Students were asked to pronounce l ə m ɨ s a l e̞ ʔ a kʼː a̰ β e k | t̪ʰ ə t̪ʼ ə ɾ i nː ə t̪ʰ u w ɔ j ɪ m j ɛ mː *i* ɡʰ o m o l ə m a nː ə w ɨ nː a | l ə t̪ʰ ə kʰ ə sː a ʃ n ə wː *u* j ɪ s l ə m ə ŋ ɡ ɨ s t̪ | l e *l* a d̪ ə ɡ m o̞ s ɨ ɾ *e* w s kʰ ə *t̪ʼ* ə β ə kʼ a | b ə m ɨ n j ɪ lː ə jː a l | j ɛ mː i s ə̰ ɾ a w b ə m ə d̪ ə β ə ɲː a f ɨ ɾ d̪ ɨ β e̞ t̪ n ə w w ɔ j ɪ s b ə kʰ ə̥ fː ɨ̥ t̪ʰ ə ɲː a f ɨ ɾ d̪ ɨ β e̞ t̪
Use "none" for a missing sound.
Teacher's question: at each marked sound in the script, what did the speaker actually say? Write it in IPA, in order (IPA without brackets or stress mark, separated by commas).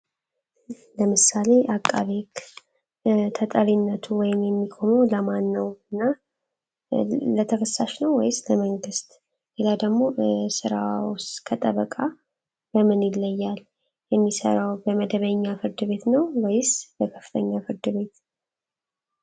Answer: i, ɔ, l, a, t̪ʼ